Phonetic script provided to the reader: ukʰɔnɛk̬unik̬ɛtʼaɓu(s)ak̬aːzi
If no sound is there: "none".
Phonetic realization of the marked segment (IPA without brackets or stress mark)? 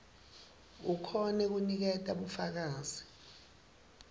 f